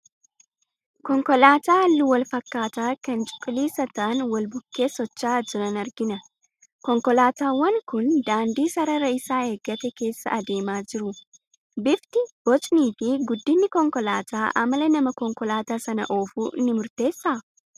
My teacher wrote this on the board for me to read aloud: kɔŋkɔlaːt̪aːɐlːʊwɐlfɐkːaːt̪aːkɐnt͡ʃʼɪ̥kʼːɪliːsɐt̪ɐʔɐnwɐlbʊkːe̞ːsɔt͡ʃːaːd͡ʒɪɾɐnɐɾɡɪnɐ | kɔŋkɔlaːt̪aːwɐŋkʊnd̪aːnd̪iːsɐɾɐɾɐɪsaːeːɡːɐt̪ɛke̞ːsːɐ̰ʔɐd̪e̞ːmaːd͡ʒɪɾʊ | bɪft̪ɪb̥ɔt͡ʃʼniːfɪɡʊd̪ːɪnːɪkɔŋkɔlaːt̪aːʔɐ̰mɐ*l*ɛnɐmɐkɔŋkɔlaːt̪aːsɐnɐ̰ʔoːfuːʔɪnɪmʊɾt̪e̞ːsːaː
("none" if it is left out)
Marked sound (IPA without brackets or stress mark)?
l